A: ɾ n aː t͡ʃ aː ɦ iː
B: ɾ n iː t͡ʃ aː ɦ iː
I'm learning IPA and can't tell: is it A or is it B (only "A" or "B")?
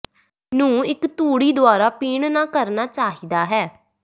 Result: A